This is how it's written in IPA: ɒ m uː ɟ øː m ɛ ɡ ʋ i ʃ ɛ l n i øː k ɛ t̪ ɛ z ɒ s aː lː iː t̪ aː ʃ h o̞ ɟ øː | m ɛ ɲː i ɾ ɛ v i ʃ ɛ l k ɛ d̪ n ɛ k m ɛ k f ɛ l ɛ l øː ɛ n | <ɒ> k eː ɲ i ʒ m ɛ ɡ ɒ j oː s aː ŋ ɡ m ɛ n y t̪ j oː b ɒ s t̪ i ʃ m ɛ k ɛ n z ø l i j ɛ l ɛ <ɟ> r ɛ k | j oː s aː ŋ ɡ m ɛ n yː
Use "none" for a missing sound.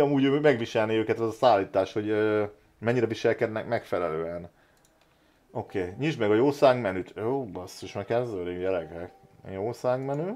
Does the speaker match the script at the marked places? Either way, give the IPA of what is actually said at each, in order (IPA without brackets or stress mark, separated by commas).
o, ɡ